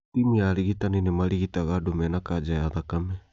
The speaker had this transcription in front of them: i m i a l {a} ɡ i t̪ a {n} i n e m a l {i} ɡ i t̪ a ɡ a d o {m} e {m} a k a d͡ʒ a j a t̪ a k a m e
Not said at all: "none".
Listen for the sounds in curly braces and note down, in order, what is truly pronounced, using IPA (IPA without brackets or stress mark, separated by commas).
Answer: i, n, i, m, n